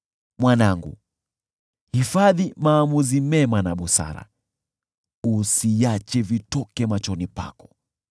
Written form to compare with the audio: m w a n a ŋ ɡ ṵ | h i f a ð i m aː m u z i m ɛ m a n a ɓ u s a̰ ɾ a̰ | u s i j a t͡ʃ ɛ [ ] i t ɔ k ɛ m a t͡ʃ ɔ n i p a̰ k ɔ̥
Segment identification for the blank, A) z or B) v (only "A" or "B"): B